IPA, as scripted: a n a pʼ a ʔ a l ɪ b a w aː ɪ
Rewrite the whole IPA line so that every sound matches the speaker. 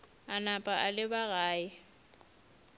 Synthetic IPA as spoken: a n a pʼ a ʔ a l ɪ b a ɣ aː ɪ